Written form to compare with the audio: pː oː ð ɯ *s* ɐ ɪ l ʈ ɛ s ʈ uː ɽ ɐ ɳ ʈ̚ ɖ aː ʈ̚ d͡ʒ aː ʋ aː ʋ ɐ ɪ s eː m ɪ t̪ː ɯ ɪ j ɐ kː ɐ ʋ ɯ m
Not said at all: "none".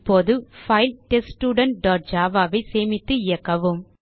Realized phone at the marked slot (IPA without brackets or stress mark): f